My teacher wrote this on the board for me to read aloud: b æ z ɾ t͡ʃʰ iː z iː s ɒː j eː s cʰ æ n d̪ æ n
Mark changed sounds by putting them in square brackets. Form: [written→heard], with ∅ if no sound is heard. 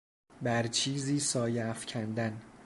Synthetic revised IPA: b æ [z→∅] ɾ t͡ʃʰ iː z iː s ɒː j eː [s→f] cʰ æ n d̪ æ n

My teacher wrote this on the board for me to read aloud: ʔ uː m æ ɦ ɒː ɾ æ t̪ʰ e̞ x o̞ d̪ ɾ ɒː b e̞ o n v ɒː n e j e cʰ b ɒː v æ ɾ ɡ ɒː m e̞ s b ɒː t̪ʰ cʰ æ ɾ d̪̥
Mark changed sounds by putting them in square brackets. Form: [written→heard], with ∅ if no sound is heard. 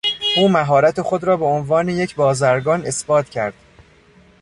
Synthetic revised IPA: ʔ uː m æ ɦ ɒː ɾ æ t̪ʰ e̞ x o̞ d̪ ɾ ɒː b e̞ o n v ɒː n e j e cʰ b ɒː [v→z] æ ɾ ɡ ɒː [m→n] e̞ s b ɒː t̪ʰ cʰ æ ɾ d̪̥

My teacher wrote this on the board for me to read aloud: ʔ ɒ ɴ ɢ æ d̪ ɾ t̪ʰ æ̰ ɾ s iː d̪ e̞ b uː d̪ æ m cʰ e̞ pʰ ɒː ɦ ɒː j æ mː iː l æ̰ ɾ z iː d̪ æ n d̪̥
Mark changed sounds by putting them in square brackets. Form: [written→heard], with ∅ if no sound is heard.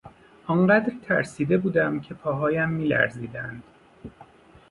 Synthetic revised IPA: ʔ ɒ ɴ ɢ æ d̪ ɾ t̪ʰ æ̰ ɾ s iː d̪ e̞ b uː d̪ æ m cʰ e̞ pʰ ɒː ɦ ɒː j æ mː iː l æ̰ ɾ z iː d̪ æ n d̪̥

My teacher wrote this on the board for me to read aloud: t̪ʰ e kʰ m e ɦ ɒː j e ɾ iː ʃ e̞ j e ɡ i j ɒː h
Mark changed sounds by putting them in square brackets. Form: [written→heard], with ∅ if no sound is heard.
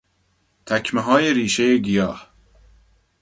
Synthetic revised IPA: t̪ʰ [e→æ] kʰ m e ɦ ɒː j e ɾ iː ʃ e̞ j e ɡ i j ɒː h

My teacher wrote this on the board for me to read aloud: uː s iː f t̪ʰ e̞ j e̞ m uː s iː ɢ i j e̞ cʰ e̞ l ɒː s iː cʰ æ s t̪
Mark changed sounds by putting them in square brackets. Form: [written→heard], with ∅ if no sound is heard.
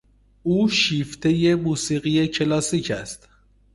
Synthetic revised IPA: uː [s→ʃ] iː f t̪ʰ e̞ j e̞ m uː s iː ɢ i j e̞ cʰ e̞ l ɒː s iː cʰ æ s t̪

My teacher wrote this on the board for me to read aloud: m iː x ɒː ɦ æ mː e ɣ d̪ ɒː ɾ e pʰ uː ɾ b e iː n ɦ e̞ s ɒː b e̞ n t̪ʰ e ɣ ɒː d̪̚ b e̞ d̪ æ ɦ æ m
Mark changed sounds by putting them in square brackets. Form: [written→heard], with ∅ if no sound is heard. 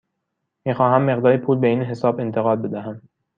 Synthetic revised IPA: m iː x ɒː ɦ æ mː e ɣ d̪ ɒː ɾ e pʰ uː [ɾ→l] b e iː n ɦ e̞ s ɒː b e̞ n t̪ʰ e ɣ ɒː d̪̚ b e̞ d̪ æ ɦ æ m

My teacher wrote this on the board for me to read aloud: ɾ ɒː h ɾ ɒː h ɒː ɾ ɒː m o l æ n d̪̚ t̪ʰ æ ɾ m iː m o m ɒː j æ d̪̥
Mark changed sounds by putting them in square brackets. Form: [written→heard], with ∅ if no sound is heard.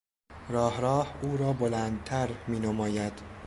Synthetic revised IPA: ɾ ɒː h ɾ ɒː h [ɒː→uː] ɾ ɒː [m→b] o l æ n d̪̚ t̪ʰ æ ɾ m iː [m→n] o m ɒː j æ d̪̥

